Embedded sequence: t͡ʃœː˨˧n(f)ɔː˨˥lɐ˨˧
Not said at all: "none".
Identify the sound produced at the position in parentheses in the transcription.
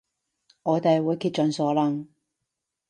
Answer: s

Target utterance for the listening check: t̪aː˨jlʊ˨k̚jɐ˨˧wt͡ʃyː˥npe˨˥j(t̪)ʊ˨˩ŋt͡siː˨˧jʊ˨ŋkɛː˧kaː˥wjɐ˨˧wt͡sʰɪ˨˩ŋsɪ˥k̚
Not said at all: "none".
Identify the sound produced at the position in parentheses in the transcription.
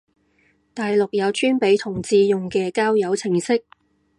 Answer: t̪ʰ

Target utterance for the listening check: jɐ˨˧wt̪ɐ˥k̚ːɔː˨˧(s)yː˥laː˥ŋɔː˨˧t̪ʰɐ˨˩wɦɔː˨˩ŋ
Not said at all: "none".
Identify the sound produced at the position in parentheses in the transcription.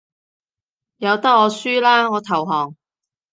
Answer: s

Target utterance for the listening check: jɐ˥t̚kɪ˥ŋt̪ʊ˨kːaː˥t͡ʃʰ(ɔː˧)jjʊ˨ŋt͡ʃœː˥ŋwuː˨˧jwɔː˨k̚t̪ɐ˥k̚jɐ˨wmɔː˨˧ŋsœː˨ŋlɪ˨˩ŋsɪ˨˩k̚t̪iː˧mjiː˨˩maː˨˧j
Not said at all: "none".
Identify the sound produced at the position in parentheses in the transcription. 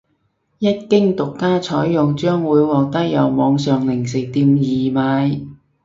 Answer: ɔː˨˥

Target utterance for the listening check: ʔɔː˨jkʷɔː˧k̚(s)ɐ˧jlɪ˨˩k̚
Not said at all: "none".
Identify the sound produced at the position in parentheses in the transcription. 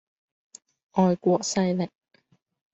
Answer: s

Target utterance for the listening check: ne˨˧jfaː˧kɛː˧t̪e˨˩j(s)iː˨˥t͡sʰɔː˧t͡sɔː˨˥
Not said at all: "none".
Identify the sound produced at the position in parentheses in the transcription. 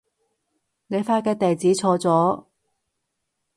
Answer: t͡s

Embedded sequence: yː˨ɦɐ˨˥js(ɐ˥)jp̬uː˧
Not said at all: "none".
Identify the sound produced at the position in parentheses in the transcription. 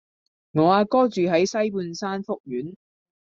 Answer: ɐ˥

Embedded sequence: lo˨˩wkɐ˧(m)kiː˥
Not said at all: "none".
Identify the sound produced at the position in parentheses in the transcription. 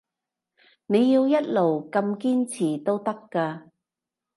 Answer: m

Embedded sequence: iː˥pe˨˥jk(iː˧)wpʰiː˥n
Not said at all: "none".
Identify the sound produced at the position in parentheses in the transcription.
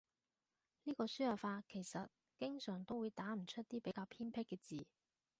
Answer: aː˧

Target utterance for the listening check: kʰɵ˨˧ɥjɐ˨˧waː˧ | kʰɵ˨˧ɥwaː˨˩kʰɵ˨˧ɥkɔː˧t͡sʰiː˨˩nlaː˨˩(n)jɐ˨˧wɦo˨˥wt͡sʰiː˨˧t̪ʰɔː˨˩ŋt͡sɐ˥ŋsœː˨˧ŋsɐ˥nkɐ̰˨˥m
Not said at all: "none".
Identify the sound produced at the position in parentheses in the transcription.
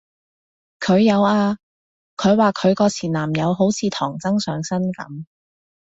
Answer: m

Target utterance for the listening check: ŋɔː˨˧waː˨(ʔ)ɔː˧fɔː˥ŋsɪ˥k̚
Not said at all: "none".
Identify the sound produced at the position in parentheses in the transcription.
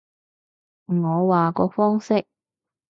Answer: k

